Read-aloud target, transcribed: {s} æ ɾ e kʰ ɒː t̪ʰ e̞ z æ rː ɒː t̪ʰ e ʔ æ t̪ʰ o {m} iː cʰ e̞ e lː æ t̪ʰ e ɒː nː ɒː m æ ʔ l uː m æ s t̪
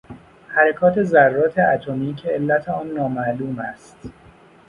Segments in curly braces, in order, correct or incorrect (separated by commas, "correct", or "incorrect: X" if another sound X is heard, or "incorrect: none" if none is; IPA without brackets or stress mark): incorrect: h, correct